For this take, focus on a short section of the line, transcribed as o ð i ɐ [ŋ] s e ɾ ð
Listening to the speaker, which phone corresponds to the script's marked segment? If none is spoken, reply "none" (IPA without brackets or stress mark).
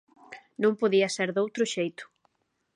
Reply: none